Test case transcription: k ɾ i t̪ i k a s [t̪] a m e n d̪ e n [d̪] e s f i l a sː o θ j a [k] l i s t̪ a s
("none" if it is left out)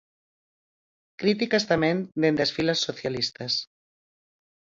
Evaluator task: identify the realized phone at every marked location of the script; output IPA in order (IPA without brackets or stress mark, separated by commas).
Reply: t̪, d̪, none